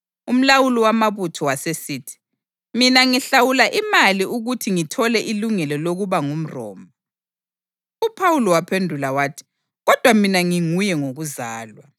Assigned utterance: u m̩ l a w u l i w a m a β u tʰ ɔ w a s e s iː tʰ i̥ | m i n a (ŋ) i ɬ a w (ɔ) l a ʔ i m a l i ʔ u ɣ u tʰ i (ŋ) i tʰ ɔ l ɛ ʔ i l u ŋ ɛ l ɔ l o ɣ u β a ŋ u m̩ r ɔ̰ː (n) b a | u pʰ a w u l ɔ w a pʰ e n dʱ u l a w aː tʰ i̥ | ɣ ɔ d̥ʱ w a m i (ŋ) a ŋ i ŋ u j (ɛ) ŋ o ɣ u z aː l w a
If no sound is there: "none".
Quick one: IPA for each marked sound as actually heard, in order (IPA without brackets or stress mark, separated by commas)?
ŋ, u, ŋ, m, n, ɛ